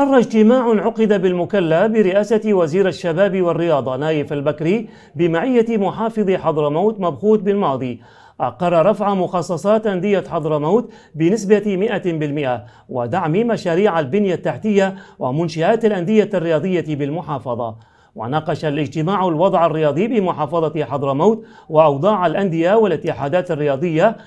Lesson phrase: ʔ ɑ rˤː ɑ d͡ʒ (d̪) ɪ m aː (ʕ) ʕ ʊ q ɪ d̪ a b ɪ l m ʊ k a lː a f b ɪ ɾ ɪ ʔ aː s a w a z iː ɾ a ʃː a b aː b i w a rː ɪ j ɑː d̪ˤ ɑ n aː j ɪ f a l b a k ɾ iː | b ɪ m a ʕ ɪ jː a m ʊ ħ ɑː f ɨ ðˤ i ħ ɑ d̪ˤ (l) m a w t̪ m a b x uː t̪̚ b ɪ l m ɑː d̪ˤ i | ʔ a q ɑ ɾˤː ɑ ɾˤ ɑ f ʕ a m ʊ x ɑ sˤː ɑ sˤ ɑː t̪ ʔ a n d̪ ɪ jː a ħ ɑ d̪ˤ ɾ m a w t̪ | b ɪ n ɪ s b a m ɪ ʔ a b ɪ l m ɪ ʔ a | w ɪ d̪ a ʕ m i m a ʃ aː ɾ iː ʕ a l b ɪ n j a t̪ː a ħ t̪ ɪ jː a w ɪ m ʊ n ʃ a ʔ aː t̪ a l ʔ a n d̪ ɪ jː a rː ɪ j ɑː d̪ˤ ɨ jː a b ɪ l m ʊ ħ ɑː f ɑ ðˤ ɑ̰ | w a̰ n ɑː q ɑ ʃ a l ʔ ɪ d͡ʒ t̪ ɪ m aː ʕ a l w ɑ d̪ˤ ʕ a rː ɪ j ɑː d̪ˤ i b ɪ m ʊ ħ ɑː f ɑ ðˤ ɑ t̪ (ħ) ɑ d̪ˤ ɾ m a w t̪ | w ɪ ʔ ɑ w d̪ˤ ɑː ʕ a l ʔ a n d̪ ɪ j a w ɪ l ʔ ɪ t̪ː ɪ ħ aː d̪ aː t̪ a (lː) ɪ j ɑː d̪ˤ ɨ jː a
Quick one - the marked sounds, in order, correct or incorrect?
incorrect: t̪, correct, incorrect: ɾ, correct, incorrect: rː

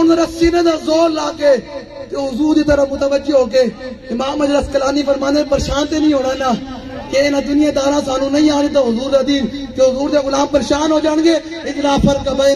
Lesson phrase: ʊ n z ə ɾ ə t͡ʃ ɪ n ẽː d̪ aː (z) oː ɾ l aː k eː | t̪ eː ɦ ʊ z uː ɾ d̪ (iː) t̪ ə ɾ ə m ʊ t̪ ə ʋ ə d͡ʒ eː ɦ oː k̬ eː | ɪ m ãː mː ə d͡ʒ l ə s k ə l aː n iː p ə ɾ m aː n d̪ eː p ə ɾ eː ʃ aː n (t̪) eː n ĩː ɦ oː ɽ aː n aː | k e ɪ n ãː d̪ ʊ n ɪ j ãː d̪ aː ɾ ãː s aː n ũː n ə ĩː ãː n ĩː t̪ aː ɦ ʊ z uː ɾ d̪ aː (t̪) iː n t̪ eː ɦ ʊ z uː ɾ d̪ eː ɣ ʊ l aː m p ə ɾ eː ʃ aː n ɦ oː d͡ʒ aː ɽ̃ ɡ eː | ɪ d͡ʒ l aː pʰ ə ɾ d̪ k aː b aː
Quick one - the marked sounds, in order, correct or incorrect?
correct, correct, correct, incorrect: d̪

